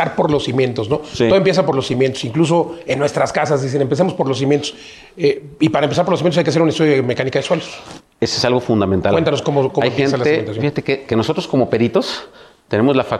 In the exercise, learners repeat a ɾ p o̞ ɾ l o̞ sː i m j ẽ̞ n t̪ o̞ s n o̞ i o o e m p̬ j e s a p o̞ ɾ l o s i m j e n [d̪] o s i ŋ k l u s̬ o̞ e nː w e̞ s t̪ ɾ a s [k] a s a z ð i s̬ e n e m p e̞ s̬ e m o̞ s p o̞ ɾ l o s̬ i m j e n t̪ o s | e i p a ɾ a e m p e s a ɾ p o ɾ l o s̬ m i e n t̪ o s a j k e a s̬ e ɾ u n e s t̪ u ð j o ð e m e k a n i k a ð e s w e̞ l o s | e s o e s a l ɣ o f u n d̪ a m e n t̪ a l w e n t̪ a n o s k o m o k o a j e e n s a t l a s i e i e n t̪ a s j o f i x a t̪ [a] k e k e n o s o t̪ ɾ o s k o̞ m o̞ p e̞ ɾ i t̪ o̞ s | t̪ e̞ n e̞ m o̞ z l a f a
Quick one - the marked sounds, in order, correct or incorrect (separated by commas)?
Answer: incorrect, correct, incorrect